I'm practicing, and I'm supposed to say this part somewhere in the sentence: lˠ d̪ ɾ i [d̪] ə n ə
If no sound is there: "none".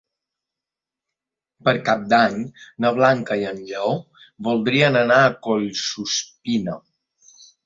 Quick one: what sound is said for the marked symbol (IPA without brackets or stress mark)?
none